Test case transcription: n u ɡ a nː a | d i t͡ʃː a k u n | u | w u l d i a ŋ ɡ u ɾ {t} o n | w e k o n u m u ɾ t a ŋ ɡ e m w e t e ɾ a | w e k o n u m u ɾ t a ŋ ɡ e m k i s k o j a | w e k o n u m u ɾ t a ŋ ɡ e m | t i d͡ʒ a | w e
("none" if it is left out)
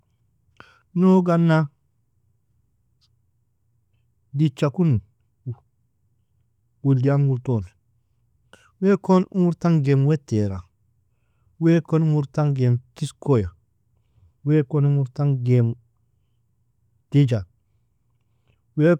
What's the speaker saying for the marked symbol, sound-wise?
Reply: t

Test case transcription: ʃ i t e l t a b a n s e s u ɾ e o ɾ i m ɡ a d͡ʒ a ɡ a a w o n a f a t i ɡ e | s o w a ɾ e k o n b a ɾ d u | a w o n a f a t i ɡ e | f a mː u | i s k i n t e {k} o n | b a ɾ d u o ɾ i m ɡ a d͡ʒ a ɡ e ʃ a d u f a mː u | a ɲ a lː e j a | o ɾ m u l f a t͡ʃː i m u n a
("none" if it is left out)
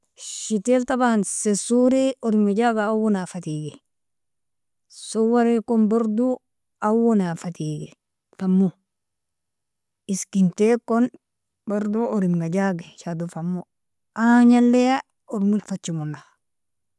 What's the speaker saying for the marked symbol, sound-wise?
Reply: k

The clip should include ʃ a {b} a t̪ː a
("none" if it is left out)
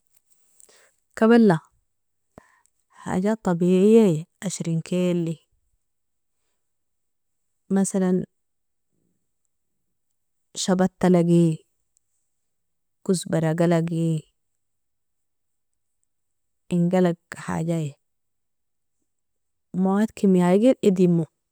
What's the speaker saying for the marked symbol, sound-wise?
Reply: b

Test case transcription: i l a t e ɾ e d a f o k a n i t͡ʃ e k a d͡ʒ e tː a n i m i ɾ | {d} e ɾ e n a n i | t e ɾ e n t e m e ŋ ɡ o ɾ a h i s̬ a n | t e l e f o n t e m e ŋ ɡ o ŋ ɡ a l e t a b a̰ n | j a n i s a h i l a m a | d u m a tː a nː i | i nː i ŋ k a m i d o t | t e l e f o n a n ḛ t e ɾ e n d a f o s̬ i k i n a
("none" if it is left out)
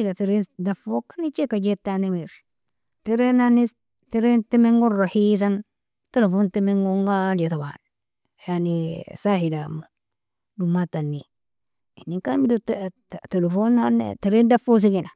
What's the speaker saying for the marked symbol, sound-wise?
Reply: t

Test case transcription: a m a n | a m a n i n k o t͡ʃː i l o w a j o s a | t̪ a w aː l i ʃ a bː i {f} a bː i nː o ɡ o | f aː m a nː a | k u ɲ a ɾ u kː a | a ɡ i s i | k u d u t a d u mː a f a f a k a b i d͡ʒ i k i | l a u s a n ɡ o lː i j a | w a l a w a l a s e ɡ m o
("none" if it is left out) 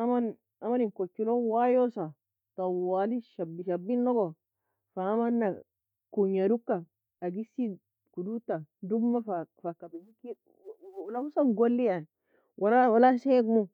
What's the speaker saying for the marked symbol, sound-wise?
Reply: ʃ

